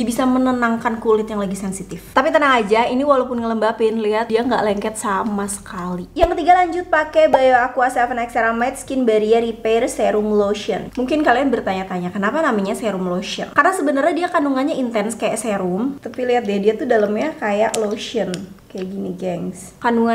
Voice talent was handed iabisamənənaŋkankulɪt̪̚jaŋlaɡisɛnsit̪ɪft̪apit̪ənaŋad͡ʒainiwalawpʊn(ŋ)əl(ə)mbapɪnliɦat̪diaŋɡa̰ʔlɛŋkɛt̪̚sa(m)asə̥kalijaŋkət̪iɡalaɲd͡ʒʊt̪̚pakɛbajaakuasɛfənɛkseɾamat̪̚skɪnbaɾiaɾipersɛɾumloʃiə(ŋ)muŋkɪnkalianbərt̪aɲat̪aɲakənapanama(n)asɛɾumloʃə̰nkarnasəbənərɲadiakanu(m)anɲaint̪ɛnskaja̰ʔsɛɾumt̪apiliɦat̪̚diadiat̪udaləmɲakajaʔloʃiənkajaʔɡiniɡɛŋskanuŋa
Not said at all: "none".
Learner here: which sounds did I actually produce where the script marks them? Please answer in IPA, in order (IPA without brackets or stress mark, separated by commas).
ŋ, ə, m, n, ɲ, ŋ